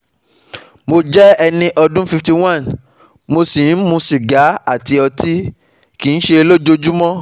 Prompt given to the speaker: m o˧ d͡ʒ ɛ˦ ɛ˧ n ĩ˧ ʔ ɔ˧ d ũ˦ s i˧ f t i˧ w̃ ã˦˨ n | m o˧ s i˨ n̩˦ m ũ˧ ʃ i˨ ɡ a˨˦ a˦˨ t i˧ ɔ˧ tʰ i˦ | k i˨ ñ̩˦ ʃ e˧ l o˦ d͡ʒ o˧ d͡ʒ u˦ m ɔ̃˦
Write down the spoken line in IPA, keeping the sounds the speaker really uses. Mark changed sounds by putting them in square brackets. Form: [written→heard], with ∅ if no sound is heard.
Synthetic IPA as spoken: m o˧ d͡ʒ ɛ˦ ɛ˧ n ĩ˧ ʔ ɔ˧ d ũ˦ [s→f] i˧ f t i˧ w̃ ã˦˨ n | m o˧ s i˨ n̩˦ m ũ˧ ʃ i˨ ɡ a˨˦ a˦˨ t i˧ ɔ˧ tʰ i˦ | k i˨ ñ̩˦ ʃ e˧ l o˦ d͡ʒ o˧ d͡ʒ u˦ m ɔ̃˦

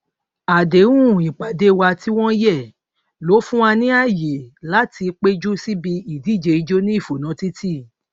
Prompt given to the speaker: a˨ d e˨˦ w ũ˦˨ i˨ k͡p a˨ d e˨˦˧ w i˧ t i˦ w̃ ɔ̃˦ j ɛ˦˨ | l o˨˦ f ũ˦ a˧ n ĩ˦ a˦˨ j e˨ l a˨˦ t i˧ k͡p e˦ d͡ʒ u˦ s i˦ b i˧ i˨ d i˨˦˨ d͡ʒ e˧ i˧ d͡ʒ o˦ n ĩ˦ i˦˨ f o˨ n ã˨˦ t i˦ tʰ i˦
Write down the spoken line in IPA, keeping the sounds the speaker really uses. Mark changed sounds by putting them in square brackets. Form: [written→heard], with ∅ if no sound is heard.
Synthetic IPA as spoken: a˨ d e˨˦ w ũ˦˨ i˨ k͡p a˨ d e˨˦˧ w [i˧→a˧] t i˦ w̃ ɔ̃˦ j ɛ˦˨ | l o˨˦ f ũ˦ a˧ n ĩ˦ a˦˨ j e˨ l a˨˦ t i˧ k͡p e˦ d͡ʒ u˦ s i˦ b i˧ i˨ d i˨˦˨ d͡ʒ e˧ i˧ d͡ʒ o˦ n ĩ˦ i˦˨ f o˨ n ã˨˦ t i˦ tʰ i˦

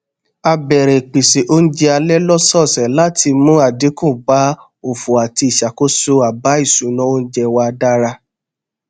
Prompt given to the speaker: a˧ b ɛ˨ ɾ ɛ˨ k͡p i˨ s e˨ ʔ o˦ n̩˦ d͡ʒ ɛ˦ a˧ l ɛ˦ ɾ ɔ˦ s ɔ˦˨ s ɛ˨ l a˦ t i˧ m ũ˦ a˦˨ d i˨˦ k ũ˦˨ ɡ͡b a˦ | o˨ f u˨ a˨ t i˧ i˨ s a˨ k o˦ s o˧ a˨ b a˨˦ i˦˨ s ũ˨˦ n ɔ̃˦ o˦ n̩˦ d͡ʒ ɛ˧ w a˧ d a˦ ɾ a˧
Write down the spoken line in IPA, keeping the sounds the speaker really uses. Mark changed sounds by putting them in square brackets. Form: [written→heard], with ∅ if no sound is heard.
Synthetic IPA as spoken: a˧ b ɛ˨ ɾ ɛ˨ k͡p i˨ s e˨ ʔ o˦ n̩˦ d͡ʒ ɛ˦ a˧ l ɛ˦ [ɾ→l] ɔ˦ s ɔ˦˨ s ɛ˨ l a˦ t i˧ m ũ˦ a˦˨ d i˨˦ k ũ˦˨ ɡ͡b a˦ | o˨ f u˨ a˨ t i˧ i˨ [s→ʃ] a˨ k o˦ s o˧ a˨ b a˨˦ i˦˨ s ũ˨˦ n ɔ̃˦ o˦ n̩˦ d͡ʒ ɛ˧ w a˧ d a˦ ɾ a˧

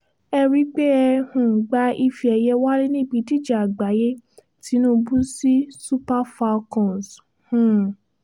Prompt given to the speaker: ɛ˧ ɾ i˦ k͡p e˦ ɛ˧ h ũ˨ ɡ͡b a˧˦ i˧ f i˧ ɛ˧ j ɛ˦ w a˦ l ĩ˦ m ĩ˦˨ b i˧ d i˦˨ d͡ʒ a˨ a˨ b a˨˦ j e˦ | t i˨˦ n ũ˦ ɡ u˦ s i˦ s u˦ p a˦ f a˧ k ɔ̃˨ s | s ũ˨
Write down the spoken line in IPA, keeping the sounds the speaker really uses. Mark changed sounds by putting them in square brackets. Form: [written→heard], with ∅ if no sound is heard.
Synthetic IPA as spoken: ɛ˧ ɾ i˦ k͡p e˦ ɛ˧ h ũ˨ ɡ͡b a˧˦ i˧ f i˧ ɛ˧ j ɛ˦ w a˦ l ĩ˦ [m→n] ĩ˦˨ b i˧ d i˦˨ d͡ʒ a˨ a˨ [b→ɡ͡b] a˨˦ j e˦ | t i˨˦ n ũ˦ [ɡ→b] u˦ s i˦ s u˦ p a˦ f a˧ k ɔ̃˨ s | [s→h] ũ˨

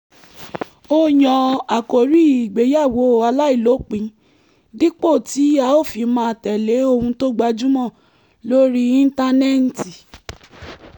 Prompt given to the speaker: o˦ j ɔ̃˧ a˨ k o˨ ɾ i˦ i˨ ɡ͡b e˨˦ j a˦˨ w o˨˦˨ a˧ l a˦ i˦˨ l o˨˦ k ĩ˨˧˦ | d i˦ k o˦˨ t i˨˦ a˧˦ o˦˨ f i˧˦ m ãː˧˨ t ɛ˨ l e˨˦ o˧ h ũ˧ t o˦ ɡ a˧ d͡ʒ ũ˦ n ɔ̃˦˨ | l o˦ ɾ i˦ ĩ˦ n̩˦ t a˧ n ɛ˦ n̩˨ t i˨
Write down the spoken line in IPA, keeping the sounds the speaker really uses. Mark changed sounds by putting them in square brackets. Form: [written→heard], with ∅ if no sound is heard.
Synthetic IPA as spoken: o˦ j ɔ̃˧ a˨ k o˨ ɾ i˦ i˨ ɡ͡b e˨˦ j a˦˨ w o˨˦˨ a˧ l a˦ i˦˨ l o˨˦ [k→k͡p] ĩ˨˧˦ | d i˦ [k→k͡p] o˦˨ t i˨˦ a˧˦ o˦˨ f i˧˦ m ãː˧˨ t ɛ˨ l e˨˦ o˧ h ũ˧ t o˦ [ɡ→ɡ͡b] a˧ d͡ʒ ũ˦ [n→m] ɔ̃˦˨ | l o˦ ɾ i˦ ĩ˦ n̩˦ t a˧ n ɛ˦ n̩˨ t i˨

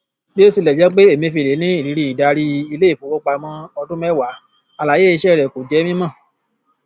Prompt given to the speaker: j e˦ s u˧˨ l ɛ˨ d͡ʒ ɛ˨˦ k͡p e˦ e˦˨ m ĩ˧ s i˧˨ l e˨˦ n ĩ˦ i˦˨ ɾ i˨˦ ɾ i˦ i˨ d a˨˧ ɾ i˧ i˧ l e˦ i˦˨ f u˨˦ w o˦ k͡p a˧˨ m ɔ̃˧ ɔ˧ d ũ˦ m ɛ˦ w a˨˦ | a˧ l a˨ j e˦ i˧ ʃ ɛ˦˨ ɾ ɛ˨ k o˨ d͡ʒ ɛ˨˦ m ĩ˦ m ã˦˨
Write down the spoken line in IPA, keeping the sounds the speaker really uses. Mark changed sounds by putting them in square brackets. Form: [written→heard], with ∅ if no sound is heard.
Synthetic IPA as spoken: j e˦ s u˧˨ l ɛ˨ d͡ʒ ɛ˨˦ k͡p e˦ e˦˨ m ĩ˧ [s→f] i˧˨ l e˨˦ n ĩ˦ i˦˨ ɾ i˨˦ ɾ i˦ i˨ d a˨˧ ɾ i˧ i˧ l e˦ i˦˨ f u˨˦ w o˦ k͡p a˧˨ m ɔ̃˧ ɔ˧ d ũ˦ m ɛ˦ w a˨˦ | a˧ l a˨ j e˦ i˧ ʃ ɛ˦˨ ɾ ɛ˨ k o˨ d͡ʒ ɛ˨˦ m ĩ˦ m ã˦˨

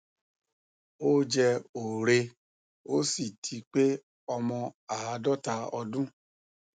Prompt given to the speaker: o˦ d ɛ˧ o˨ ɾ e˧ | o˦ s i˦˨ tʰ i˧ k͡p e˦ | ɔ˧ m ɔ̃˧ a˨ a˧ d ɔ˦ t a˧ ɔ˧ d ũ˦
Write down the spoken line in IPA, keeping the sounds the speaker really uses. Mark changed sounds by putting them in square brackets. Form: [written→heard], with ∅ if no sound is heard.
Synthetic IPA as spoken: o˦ [d→d͡ʒ] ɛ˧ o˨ ɾ e˧ | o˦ s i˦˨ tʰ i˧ k͡p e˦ | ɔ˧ m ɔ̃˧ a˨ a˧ d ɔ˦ t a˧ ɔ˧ d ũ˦

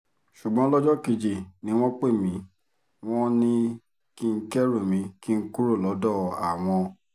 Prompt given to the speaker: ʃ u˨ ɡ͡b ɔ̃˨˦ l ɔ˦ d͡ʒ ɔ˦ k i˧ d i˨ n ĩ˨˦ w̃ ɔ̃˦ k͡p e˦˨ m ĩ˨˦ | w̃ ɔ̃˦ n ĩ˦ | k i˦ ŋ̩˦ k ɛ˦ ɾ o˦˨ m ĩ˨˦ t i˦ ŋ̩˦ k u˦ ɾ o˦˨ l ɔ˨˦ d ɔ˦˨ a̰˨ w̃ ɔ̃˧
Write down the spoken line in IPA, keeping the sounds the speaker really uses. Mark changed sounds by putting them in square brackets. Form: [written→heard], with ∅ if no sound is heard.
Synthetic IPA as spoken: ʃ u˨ ɡ͡b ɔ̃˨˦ l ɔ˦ d͡ʒ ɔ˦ k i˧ [d→d͡ʒ] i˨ n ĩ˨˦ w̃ ɔ̃˦ k͡p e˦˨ m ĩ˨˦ | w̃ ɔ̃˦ n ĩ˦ | k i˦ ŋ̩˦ k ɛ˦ ɾ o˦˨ m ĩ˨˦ [t→k] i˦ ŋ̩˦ k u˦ ɾ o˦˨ l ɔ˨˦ d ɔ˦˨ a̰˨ w̃ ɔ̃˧

